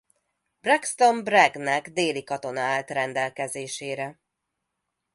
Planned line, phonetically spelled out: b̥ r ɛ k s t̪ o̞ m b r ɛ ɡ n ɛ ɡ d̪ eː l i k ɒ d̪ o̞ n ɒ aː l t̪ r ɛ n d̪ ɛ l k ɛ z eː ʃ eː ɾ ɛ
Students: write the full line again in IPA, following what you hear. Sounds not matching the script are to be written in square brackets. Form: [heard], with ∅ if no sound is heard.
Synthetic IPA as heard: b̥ r ɛ k s t̪ o̞ m b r ɛ ɡ n ɛ ɡ d̪ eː l i k ɒ [t̪] o̞ n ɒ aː l t̪ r ɛ n d̪ ɛ l k ɛ z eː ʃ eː ɾ ɛ